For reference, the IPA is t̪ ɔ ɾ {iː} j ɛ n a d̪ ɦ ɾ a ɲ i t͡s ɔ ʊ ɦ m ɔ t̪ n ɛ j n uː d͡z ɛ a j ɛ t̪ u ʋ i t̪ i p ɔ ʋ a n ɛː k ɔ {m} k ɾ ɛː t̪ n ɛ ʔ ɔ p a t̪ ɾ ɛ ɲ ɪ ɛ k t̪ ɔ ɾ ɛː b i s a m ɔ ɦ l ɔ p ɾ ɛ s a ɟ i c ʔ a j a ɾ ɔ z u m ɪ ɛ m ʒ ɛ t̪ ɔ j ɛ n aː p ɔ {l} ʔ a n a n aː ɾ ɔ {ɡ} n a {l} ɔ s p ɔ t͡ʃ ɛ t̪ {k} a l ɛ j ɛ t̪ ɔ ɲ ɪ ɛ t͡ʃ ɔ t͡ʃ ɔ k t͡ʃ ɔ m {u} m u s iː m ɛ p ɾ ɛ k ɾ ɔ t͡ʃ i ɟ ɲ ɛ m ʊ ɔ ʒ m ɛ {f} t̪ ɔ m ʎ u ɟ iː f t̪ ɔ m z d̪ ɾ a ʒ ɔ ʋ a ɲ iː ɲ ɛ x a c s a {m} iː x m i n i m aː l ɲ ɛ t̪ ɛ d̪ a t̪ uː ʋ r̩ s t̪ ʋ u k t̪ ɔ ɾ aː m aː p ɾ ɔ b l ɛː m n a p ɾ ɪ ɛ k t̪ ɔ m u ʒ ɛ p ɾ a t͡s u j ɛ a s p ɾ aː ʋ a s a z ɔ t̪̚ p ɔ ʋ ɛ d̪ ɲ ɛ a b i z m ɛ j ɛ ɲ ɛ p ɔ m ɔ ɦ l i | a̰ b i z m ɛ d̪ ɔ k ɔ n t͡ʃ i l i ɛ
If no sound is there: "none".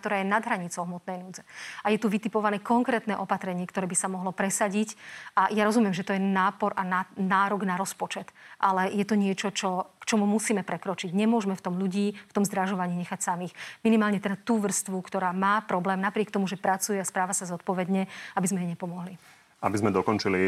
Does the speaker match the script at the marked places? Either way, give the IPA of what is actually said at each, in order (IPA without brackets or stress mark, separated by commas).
aː, ŋ, ɾ, ɡ, ɾ, ʔ, u, f, m